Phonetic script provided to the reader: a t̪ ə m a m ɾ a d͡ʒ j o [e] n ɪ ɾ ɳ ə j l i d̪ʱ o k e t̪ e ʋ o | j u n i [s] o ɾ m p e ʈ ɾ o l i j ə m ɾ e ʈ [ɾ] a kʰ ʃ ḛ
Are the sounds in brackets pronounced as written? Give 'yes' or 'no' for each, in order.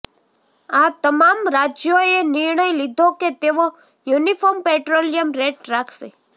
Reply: yes, no, yes

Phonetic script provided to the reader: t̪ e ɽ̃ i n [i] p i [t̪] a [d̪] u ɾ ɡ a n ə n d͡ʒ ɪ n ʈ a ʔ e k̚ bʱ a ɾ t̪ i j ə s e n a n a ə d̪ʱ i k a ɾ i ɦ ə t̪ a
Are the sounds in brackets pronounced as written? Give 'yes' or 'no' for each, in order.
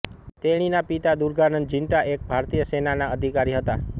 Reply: no, yes, yes

